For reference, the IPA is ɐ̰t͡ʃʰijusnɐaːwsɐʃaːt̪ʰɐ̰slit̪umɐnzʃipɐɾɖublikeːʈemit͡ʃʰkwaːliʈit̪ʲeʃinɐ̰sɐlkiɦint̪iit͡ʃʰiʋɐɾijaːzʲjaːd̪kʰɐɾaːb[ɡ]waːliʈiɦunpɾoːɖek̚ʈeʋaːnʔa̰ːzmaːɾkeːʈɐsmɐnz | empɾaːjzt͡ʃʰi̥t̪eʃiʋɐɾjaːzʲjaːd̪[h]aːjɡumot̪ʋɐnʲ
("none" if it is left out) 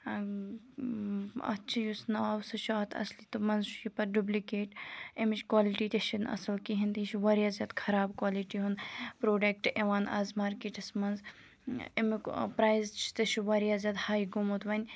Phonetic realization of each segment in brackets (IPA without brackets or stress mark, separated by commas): k, h